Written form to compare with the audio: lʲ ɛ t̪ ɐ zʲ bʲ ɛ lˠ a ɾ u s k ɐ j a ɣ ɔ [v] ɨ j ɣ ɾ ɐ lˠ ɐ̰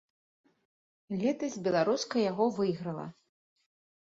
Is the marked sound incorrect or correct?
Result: correct